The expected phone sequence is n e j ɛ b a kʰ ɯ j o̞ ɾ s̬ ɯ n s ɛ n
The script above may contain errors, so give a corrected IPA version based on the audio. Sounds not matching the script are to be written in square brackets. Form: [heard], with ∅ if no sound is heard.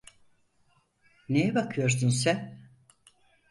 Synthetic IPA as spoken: n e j ɛ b a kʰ ɯ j o̞ ɾ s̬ [u] n s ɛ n